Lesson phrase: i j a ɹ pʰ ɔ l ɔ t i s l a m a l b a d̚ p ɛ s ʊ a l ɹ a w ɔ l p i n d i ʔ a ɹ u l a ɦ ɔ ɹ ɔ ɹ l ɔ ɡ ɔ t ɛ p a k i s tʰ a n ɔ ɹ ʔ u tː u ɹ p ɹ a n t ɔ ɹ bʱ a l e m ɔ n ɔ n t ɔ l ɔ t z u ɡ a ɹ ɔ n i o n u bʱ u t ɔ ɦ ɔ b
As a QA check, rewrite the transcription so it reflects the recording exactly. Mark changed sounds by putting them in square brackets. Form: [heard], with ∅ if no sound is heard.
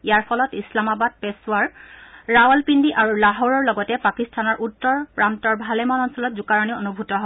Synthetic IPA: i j a ɹ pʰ ɔ l ɔ t i s l a m a [∅] b a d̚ p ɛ s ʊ a [ɹ] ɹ a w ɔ l p i n d i ʔ a ɹ u l a ɦ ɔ ɹ ɔ ɹ l ɔ ɡ ɔ t ɛ p a k i s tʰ a n ɔ ɹ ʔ u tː [ɔ] ɹ p ɹ a n t ɔ ɹ bʱ a l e m ɔ n ɔ n [s] ɔ l ɔ t z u [k] a ɹ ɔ n i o n u bʱ u t ɔ ɦ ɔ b